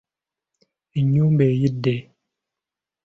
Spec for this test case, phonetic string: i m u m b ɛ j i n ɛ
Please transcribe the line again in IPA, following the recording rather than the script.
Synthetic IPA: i ɲ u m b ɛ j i d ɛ